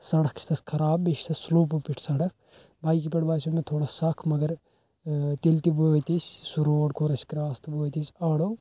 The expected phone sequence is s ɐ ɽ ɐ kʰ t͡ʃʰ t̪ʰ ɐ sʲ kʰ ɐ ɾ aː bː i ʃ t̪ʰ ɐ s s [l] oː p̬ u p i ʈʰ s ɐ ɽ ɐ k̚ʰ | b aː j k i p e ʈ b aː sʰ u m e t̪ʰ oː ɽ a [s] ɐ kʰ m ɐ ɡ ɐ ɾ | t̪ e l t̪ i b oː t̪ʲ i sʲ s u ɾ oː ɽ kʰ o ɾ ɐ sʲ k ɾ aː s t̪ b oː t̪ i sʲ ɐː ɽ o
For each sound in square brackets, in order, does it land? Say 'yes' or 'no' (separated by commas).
yes, yes